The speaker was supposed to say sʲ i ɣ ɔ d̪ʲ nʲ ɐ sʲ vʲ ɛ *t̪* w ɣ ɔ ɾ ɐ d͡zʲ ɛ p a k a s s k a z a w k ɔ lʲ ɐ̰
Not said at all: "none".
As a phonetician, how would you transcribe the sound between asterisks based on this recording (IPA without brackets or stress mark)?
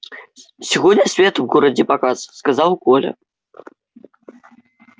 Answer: t̪